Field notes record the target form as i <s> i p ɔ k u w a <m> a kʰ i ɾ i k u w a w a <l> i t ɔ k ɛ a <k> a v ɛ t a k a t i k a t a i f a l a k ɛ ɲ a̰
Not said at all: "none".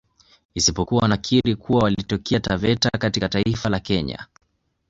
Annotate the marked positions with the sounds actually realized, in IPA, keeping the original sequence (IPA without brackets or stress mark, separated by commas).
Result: s, n, l, t